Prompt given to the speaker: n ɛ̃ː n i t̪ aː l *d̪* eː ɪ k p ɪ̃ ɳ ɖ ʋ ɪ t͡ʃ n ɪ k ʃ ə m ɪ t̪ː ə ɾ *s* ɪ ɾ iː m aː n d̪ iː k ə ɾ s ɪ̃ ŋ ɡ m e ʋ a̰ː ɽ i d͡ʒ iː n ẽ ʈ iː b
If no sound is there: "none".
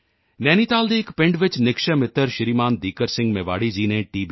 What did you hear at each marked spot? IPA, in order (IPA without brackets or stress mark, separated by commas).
d̪, ʃ